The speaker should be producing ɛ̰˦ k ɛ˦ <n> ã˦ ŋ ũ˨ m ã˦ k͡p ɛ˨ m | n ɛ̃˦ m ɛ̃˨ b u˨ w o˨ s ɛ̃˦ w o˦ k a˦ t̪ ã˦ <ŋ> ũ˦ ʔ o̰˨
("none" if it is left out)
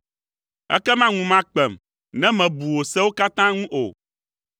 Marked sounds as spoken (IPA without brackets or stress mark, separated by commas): m, ŋ